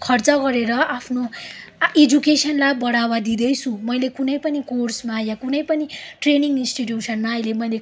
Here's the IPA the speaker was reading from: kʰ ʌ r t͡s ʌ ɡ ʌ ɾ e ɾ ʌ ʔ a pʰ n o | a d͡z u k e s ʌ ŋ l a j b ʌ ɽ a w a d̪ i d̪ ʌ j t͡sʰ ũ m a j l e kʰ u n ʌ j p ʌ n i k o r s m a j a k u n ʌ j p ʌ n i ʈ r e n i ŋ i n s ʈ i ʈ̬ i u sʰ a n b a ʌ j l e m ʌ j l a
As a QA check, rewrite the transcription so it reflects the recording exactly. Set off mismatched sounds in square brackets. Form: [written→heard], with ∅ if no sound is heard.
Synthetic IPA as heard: kʰ ʌ r t͡s ʌ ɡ ʌ ɾ e ɾ ʌ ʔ a pʰ n o | [a→e] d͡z u k e s ʌ [ŋ→n] l a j b ʌ ɽ a w a d̪ i d̪ ʌ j t͡sʰ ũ m [a→ʌ] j l e [kʰ→k] u n ʌ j p ʌ n i k o r s m a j a k u n ʌ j p ʌ n i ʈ r e n i ŋ i n s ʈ i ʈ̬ [i→j] u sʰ [a→ʌ] n [b→m] a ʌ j l e m ʌ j l [a→e]